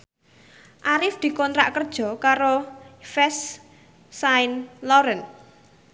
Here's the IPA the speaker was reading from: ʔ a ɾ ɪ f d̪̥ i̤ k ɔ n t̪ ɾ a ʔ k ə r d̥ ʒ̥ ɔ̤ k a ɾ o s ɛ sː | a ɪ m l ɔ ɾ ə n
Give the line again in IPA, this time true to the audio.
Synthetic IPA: ʔ a ɾ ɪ f d̪̥ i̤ k ɔ n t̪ ɾ a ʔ k ə r d̥ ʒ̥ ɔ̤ k a ɾ o f ɛ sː | a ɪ n l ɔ ɾ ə n